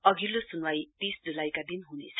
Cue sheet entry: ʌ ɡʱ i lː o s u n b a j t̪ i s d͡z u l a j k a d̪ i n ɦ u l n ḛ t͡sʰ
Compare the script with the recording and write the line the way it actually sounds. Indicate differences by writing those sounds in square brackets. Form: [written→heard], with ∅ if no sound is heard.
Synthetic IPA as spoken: ʌ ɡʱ i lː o s u n [b→w] a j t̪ i s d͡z u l a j k a d̪ i n ɦ u [l→∅] n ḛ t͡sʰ